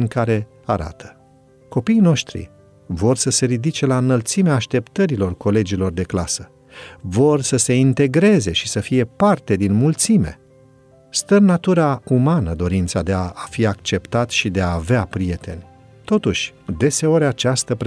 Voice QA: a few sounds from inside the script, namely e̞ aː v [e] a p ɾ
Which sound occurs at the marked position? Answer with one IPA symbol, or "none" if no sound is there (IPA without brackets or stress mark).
e